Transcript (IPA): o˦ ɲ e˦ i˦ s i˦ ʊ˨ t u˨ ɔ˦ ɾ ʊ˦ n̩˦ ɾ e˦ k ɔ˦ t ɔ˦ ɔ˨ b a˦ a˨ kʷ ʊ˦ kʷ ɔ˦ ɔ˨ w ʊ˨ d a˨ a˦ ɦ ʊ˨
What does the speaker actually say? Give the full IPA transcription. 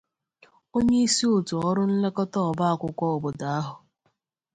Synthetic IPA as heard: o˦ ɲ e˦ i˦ s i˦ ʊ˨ t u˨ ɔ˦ ɾ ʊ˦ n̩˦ l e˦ k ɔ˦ t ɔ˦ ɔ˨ b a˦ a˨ kʷ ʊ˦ kʷ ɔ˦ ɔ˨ b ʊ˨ d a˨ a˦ ɦ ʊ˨